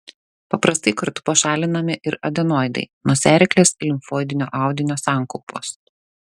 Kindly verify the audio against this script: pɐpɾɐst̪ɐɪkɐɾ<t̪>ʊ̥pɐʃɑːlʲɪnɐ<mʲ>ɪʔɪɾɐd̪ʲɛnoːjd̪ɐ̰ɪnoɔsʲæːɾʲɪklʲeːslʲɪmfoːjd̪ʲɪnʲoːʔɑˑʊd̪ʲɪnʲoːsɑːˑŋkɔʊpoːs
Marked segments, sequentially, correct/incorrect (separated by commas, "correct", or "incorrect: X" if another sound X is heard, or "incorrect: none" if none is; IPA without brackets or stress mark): correct, correct